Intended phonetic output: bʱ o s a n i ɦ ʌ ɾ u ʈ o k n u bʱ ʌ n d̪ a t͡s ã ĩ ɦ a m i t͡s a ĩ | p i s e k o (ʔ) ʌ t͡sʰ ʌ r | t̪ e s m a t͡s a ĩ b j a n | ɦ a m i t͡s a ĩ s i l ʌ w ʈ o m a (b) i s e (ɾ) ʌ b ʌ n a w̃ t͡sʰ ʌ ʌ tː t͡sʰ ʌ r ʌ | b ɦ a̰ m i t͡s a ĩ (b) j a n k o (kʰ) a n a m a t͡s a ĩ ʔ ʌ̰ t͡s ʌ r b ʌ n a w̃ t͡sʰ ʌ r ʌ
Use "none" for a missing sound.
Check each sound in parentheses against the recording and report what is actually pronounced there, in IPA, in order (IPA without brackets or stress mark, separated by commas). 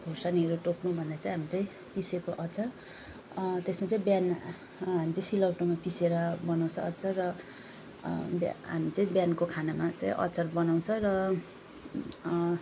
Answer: ʔ, p, ɾ, b, kʰ